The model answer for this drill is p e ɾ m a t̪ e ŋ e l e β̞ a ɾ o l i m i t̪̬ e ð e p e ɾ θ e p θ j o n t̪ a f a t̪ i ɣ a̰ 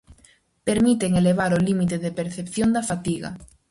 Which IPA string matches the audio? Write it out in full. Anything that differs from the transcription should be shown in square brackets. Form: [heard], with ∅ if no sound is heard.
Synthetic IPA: p e ɾ m [i] t̪ e ŋ e l e β̞ a ɾ o l i m i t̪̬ e ð e p e ɾ θ e p θ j o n [d̪] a f a t̪ i ɣ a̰